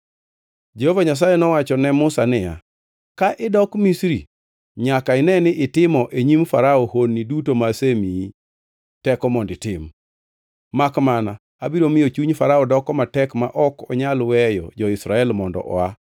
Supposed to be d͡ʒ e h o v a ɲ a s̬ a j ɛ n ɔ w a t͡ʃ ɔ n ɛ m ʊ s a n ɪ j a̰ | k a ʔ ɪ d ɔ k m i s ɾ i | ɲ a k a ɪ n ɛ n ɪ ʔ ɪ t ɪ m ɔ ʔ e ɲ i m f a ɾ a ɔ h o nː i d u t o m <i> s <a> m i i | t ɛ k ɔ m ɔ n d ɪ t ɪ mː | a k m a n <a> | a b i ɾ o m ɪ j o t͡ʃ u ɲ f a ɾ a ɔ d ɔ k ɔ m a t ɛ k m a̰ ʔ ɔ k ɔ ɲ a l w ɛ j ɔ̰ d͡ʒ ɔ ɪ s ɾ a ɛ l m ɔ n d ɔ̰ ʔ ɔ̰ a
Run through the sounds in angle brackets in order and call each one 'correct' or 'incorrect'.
incorrect: a, incorrect: e, correct

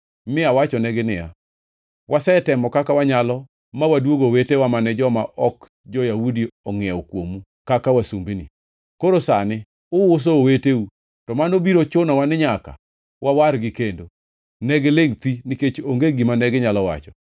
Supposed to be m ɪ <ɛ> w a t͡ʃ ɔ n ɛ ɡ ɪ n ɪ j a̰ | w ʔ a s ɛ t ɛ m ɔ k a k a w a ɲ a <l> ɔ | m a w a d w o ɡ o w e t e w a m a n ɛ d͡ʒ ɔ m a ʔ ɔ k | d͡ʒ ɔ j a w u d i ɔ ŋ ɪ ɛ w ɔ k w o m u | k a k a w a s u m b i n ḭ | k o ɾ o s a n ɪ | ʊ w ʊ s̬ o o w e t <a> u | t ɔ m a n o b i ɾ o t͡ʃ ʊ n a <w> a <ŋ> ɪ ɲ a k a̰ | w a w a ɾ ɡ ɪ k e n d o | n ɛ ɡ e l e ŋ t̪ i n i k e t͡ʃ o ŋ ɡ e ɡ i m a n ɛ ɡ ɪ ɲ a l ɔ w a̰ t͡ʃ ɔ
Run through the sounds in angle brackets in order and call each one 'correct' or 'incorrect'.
incorrect: a, correct, incorrect: e, correct, incorrect: n

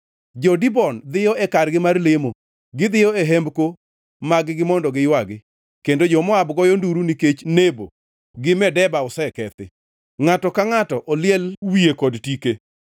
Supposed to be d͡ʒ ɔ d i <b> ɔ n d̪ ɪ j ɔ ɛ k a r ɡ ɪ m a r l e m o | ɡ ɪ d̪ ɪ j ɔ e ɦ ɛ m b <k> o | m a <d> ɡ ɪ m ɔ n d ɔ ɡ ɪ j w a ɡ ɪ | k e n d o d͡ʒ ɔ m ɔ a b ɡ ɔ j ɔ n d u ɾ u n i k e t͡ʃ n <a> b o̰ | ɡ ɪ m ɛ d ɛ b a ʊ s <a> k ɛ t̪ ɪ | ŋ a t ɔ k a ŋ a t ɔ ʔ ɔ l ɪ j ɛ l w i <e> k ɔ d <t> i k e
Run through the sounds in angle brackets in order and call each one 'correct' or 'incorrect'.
correct, correct, incorrect: ɡ, incorrect: e, incorrect: ɛ, correct, correct

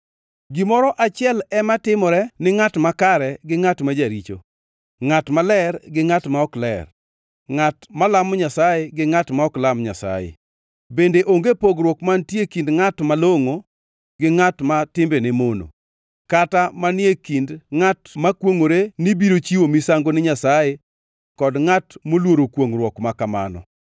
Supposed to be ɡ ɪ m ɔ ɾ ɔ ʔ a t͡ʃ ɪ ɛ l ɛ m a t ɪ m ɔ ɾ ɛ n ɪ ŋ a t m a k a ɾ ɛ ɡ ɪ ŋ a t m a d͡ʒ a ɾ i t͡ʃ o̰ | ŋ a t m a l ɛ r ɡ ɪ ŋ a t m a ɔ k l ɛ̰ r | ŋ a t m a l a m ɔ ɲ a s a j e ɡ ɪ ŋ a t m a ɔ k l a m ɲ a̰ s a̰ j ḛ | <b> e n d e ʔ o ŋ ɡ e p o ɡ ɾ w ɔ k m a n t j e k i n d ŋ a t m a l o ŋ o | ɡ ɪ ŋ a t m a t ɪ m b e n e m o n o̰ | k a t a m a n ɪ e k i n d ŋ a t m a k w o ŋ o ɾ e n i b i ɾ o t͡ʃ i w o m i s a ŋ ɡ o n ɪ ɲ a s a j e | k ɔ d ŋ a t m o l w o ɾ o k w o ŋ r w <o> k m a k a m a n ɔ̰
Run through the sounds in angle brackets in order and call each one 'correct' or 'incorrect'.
correct, incorrect: ɔ

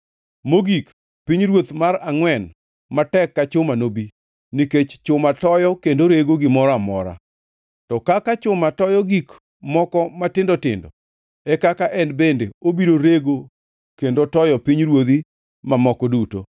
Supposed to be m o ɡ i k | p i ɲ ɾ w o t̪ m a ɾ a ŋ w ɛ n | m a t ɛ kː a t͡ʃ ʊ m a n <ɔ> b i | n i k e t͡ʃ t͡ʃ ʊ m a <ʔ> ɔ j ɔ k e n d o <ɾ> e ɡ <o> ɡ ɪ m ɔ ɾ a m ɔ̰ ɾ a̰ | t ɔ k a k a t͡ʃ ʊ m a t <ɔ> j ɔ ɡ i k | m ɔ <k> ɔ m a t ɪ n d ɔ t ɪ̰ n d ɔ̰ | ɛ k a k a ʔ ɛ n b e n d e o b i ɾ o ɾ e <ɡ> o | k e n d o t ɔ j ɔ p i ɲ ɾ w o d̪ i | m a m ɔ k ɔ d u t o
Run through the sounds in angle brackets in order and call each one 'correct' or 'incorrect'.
incorrect: o, incorrect: t, correct, correct, correct, correct, correct

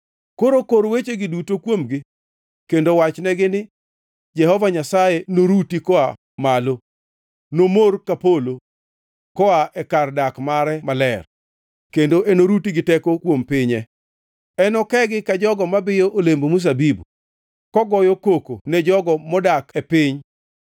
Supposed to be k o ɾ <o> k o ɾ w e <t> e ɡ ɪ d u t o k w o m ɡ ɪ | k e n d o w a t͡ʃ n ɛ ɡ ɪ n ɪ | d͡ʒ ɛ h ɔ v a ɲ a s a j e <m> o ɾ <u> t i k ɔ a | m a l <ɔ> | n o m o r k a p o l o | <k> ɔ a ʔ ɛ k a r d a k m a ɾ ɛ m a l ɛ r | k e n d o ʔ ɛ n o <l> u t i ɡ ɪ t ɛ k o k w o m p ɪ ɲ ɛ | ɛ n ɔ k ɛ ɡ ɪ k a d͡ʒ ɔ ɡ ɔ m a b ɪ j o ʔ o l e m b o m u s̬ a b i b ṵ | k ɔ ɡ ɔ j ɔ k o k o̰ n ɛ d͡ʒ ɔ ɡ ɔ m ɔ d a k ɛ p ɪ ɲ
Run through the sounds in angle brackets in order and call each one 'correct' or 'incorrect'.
correct, incorrect: t͡ʃ, incorrect: n, correct, incorrect: o, correct, incorrect: ɾ

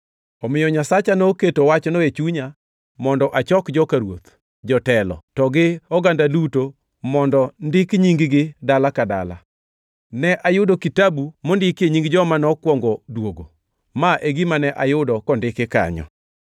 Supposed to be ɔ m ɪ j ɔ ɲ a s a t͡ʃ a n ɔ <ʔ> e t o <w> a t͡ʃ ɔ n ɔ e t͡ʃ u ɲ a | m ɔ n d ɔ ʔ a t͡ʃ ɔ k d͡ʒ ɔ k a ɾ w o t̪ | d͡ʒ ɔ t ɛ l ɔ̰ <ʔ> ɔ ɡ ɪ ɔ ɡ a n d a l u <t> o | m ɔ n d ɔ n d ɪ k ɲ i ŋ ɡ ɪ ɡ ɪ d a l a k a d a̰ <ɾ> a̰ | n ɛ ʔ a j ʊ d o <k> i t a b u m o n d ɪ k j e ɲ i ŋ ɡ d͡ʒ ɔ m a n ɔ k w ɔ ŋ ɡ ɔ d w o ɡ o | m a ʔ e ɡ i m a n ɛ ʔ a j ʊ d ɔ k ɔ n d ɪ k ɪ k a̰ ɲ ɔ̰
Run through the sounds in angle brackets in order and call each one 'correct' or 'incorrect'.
incorrect: k, correct, incorrect: t, correct, incorrect: l, correct

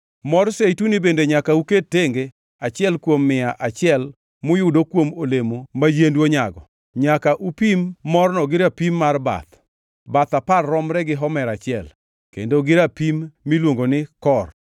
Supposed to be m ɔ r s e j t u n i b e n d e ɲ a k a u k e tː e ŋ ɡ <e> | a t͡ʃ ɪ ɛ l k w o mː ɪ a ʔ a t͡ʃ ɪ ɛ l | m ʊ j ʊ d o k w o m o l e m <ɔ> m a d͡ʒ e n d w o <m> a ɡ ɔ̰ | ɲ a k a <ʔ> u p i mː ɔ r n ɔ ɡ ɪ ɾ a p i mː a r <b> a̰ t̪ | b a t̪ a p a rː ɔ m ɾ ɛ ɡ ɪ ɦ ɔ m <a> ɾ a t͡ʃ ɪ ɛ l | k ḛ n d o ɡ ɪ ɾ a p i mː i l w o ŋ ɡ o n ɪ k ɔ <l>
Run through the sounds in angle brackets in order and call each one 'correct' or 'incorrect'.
correct, incorrect: o, incorrect: ɲ, correct, correct, incorrect: ɛ, incorrect: r

